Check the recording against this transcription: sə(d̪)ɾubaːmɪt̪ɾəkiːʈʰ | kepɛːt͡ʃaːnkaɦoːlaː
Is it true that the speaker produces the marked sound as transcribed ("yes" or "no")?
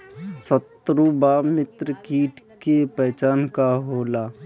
no